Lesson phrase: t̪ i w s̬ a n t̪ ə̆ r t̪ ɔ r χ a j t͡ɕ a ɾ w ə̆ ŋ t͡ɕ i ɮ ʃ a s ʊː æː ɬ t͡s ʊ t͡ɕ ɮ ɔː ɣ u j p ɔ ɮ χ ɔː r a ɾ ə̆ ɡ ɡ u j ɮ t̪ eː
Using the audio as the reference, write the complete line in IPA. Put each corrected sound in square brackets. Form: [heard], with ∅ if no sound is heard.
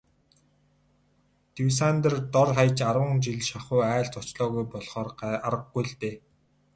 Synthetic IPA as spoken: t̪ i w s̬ a n t̪ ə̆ r t̪ ɔ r χ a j t͡ɕ a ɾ w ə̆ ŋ t͡ɕ i ɮ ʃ a [χ] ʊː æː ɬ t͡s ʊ t͡ɕ ɮ ɔː ɣ u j p ɔ ɮ χ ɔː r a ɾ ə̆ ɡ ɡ u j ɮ t̪ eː